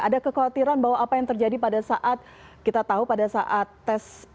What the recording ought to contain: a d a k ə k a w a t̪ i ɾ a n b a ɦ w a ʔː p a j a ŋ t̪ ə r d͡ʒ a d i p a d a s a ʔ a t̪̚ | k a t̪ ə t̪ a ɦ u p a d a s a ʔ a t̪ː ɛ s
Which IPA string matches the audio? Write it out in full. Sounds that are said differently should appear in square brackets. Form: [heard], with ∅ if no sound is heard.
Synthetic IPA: a d a k ə k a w a t̪ i ɾ a n b a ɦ w a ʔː p a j a ŋ t̪ ə r d͡ʒ a d i p a d a s a ʔ a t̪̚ | k [i] t̪ [a] t̪ a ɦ u p a d a s a ʔ a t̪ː ɛ s